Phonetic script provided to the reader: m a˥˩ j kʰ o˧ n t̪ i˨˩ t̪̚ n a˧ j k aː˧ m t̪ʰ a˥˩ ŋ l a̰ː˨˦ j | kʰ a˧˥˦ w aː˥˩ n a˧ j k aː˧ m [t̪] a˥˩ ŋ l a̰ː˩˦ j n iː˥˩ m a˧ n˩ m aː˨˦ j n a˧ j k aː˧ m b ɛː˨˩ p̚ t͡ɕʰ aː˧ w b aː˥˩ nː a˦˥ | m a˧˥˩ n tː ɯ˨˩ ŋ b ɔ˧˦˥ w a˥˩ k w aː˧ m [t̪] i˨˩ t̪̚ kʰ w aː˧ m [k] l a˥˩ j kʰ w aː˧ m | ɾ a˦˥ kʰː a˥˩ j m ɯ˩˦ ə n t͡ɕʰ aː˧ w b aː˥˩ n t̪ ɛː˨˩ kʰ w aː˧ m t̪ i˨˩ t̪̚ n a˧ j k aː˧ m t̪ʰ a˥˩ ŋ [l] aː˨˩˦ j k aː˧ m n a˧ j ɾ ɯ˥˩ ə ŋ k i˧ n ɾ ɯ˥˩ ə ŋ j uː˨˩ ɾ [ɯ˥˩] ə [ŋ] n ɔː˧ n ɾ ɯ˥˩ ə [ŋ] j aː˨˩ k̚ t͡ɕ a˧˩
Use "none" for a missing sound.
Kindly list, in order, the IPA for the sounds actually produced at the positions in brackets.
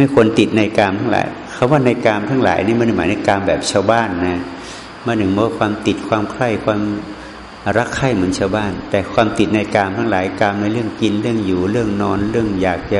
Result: t̪ʰ, t̪, kʰ, l, ɯ˥˩, ŋ, ŋ

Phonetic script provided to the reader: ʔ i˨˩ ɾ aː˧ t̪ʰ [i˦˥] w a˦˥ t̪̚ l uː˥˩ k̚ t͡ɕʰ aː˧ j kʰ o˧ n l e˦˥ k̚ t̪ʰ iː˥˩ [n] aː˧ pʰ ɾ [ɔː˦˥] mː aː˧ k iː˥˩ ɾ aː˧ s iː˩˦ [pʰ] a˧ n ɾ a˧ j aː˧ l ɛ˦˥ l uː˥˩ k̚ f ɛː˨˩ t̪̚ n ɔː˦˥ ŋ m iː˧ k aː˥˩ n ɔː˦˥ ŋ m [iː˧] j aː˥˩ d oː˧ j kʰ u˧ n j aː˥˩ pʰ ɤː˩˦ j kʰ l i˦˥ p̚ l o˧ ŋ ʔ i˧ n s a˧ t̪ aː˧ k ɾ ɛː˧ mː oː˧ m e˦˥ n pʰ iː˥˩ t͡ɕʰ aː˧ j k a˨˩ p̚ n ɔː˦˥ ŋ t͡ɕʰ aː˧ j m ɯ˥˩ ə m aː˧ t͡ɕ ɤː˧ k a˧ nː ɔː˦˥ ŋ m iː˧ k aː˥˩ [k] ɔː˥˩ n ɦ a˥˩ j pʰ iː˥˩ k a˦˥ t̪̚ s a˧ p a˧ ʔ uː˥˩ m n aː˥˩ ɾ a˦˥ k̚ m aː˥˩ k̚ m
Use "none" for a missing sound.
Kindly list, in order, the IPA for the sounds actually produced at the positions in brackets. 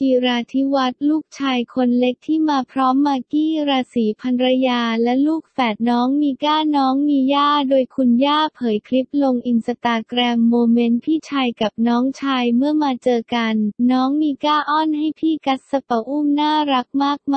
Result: i˦˥, m, ɔː˦˥, pʰ, iː˧, ʔ

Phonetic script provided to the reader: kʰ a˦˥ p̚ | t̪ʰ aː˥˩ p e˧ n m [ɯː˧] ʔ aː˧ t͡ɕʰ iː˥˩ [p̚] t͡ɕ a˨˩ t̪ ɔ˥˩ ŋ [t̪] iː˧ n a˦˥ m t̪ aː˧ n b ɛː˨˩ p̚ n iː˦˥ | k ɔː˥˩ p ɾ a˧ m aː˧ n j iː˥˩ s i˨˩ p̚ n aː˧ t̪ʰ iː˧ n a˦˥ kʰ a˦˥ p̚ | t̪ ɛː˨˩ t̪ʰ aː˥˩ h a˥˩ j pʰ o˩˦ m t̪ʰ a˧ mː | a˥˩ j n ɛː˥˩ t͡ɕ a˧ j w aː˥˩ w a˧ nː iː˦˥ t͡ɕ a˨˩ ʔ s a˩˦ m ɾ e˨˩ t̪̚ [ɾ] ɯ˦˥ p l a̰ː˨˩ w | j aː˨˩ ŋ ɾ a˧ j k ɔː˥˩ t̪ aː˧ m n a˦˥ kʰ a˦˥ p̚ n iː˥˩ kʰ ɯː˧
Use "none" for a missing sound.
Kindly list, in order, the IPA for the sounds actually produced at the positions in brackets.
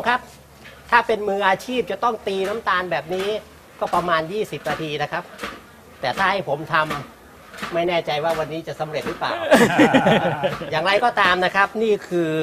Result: ɯː˧, p̚, t̪, ɾ

